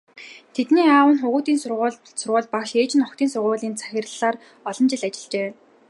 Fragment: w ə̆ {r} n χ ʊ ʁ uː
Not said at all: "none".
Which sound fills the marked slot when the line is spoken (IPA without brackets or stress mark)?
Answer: none